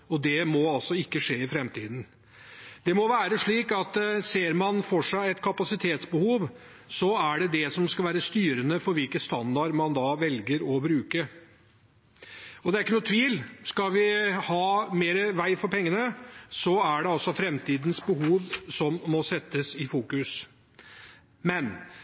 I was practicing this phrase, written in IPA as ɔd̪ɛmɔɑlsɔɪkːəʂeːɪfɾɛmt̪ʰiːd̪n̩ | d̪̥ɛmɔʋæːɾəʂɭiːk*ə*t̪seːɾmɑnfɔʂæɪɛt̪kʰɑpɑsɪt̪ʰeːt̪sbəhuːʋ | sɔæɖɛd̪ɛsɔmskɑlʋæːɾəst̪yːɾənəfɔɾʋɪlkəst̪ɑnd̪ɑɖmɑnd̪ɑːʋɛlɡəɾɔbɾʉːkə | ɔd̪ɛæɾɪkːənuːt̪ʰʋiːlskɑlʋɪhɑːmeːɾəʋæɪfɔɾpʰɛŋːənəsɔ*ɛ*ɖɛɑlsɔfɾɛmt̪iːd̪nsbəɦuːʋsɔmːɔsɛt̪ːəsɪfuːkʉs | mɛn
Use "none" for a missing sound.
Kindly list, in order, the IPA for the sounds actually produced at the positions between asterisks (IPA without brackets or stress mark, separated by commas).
ɑ, æ